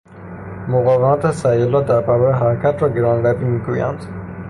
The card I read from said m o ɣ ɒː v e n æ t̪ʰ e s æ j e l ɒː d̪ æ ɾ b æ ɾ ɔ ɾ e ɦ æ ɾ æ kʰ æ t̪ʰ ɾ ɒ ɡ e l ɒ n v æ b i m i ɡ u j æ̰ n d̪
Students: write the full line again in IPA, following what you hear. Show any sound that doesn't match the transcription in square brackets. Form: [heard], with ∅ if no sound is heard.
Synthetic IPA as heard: m o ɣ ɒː v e [m] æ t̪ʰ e s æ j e l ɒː d̪ æ ɾ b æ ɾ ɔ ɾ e ɦ æ ɾ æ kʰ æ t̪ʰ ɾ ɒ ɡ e [ɾ] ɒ n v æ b i m i ɡ u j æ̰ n d̪

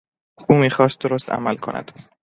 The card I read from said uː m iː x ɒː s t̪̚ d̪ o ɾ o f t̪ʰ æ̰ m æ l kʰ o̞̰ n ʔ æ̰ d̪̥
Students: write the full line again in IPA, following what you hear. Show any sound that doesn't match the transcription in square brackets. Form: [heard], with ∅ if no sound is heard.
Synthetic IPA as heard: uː m iː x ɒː s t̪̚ d̪ o ɾ o [s] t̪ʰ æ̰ m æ l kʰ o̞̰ n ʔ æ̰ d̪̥

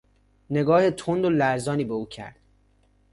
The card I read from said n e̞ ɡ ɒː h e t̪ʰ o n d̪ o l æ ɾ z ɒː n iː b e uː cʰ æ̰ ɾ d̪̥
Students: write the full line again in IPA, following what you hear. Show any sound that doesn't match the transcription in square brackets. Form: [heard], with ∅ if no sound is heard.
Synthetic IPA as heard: n e̞ ɡ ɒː h e t̪ʰ o n d̪ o l æ ɾ z ɒː n iː b e uː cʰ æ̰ ɾ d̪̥

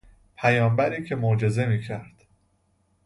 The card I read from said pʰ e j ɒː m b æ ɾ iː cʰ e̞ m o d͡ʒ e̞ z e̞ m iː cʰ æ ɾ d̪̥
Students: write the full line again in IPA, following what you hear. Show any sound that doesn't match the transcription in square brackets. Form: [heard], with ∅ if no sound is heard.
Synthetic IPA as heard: pʰ [æ] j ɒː m b æ ɾ iː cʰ e̞ m o d͡ʒ e̞ z e̞ m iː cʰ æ ɾ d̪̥

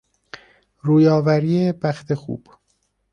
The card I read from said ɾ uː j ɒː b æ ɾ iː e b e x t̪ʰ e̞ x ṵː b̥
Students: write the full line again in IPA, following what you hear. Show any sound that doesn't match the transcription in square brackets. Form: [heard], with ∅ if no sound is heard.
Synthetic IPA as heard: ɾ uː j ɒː [v] æ ɾ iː e b [æ] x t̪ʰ e̞ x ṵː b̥

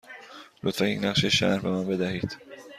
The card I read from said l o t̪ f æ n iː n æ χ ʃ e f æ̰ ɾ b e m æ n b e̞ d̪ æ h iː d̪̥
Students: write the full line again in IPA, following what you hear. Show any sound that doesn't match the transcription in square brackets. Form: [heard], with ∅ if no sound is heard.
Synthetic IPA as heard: l o t̪ f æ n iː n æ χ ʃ e [ʃ] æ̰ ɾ b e m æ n b e̞ d̪ æ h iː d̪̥

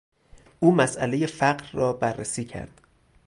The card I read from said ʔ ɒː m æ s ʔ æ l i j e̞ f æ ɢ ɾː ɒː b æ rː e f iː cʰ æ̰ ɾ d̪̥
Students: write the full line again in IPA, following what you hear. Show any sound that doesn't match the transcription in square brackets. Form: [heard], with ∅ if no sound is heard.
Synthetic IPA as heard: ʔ [uː] m æ s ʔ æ l [e] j e̞ f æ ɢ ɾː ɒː b æ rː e [s] iː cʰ æ̰ ɾ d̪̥

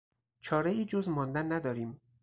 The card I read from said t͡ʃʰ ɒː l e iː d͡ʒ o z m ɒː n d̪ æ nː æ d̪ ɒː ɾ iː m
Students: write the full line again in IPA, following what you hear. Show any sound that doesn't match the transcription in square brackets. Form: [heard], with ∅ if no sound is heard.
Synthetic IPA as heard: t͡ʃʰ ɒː [ɾ] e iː d͡ʒ o z m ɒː n d̪ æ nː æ d̪ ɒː ɾ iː m

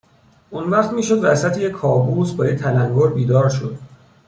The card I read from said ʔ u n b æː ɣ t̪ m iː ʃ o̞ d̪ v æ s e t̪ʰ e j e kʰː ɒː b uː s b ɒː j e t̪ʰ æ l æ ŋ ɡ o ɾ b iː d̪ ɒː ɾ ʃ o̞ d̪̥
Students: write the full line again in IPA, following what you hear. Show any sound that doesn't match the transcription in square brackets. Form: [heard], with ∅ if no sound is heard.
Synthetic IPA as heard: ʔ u n [v] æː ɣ t̪ m iː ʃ o̞ d̪ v æ s [æ] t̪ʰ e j e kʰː ɒː b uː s b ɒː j e t̪ʰ æ l æ ŋ ɡ o ɾ b iː d̪ ɒː ɾ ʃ o̞ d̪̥

